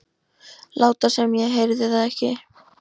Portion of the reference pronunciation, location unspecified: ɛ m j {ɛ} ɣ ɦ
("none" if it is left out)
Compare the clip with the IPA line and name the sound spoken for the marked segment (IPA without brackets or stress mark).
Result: ɛ